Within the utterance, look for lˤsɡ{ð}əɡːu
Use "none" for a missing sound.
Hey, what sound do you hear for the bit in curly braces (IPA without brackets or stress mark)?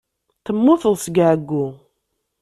ʕ